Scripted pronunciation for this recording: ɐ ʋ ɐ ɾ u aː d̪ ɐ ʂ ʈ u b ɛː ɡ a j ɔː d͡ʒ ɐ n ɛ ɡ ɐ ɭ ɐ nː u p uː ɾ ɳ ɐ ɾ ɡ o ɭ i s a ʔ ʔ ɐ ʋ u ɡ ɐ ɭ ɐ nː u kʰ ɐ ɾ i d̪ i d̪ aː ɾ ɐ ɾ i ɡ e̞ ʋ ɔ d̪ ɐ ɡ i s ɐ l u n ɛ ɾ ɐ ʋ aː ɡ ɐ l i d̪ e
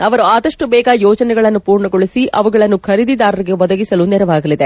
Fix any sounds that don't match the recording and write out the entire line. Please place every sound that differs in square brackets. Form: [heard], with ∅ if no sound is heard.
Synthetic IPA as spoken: ɐ ʋ ɐ ɾ u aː d̪ ɐ ʂ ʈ u b ɛː ɡ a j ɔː d͡ʒ ɐ n ɛ ɡ ɐ ɭ ɐ nː u p uː ɾ ɳ ɐ [∅] ɡ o ɭ i s [i] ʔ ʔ ɐ ʋ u ɡ ɐ ɭ ɐ nː u kʰ ɐ ɾ i d̪ i d̪ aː ɾ ɐ ɾ i ɡ e̞ ʋ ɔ d̪ ɐ ɡ i s ɐ l u n ɛ ɾ ɐ ʋ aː ɡ ɐ l i d̪ e